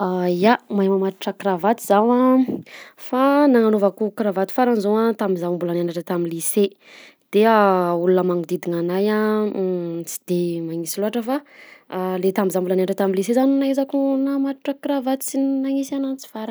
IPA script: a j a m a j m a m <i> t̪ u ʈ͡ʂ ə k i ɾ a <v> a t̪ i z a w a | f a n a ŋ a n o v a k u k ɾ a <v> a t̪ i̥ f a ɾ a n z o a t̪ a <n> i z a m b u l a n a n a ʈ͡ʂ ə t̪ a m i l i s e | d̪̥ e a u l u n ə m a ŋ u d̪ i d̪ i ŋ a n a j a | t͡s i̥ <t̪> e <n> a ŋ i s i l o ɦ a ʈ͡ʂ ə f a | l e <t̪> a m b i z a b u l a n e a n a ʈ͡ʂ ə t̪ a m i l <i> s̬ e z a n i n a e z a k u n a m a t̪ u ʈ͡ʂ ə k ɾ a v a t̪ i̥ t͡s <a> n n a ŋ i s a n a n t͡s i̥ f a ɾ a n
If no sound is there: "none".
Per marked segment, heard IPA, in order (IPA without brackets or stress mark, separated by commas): a, v, v, m, d̪, m, t̪, i, i